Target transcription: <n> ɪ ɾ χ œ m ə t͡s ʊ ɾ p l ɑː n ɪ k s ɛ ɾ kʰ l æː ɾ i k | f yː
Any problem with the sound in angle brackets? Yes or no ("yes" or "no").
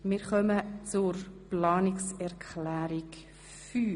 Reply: yes